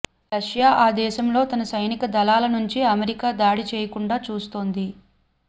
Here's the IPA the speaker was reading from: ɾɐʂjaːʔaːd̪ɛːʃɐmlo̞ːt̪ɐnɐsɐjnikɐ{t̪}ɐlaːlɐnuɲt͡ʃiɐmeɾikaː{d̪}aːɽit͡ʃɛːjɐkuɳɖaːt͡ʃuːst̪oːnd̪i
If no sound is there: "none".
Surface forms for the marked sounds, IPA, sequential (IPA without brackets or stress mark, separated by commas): d̪, d̪